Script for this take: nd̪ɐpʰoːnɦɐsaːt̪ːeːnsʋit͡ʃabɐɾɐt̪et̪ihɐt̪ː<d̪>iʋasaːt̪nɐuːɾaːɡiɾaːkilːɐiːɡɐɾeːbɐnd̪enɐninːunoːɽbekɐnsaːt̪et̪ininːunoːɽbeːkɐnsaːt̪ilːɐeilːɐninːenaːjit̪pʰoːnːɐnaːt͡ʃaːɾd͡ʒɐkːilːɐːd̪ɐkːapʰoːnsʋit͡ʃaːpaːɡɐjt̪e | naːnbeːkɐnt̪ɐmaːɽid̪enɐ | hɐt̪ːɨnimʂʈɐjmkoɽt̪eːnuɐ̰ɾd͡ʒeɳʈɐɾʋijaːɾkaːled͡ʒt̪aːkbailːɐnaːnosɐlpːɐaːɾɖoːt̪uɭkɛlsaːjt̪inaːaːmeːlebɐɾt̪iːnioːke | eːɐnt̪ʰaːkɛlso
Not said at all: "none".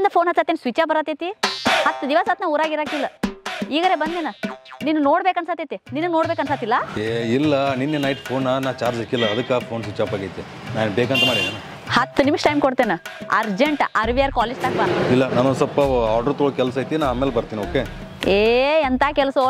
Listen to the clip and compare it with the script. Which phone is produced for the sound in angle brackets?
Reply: d̪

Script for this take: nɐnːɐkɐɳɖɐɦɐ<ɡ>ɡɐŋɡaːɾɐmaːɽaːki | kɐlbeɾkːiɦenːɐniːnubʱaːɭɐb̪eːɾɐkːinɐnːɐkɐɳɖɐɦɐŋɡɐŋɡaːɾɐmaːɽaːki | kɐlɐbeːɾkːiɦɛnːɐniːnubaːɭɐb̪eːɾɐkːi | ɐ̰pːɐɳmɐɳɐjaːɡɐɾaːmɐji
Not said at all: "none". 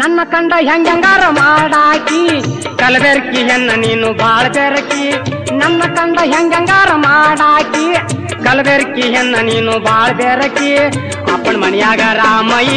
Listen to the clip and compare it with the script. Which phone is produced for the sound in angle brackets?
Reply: ŋ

